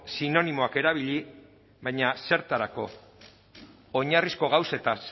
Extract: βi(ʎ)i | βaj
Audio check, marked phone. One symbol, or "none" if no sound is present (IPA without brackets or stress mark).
ʎ